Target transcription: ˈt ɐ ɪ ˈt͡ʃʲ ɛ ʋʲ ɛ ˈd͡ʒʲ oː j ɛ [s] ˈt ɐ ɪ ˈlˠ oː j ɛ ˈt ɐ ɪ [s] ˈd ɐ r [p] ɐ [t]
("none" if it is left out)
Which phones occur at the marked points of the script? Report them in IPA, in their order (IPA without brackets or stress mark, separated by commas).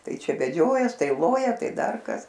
s, none, k, s